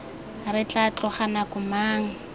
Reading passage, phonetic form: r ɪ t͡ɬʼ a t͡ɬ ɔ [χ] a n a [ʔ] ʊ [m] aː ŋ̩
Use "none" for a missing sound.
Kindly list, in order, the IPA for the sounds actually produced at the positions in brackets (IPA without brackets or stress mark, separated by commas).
χ, k, m